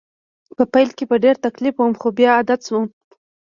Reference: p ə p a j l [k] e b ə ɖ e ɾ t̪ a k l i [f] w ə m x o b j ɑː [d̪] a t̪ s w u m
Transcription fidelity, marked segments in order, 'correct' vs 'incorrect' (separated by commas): correct, correct, correct